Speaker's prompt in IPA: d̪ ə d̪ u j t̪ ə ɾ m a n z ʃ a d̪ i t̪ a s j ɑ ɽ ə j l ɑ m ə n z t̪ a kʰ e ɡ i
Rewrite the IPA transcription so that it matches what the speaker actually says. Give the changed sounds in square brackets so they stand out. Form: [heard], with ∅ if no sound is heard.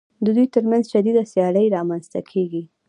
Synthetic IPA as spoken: d̪ ə d̪ u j t̪ ə ɾ m a n z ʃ a d̪ i [d̪] a s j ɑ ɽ ə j [ɾ] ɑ m [a] n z t̪ a kʰ e ɡ i